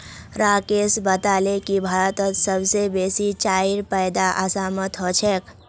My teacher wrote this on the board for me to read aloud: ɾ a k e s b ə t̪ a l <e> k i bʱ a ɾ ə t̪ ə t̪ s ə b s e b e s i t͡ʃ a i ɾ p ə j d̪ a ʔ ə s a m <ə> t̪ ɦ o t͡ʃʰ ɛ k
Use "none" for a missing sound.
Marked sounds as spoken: e, ə

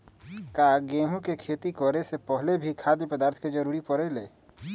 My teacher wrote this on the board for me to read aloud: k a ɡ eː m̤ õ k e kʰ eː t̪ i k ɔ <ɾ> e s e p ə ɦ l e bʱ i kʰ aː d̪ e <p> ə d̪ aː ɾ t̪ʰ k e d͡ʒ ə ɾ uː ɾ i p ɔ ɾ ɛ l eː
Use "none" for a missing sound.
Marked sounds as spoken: ɾ, p

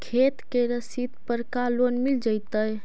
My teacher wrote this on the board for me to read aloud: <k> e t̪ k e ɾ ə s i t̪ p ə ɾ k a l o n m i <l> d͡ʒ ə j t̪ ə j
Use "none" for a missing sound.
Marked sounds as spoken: kʰ, l

